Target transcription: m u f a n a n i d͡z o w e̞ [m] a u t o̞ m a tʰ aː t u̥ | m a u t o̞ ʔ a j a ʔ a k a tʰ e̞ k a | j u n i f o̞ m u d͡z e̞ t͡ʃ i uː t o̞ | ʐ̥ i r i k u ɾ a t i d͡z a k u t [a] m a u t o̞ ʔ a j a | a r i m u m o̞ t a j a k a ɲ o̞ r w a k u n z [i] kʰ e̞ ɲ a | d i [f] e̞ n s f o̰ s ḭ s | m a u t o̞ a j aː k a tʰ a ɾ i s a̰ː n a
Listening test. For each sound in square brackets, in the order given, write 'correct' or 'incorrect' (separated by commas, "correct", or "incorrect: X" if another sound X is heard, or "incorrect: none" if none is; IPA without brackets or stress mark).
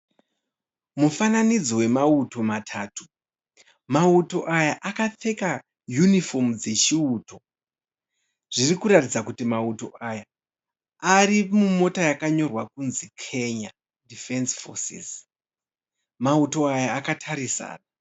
correct, incorrect: i, correct, correct